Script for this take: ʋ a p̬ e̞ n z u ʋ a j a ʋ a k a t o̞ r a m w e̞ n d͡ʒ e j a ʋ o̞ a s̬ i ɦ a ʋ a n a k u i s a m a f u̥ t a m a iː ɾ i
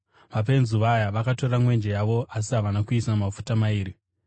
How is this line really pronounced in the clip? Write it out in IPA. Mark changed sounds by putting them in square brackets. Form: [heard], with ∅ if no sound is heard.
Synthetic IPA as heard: ʋ a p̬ e̞ n z u ʋ a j a ʋ a k a t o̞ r a m w e̞ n d͡ʒ e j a ʋ o̞ a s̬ i ɦ a ʋ a n a k u i s a m a f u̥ t a m a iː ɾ i